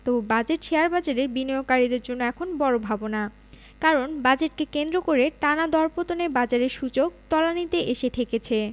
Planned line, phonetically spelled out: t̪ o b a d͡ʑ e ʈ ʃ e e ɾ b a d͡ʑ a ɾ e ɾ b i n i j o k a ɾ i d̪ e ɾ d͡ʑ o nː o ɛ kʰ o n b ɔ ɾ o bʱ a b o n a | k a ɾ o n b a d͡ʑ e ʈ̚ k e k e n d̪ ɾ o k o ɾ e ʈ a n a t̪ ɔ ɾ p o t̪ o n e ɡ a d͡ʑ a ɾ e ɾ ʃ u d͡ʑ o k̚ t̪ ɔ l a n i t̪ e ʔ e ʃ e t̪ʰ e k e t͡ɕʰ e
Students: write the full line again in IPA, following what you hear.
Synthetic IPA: t̪ o b a d͡ʑ e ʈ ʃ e a ɾ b a d͡ʑ a ɾ e ɾ b i n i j o k a ɾ i d̪ e ɾ d͡ʑ o nː o ɛ kʰ o n b ɔ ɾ o bʱ a b o n a | k a ɾ o n b a d͡ʑ e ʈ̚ k e k e n d̪ ɾ o k o ɾ e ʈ a n a d̪ ɔ ɾ p o t̪ o n e b a d͡ʑ a ɾ e ɾ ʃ u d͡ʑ o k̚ t̪ ɔ l a n i t̪ e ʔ e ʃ e t̪ʰ e k e t͡ɕʰ e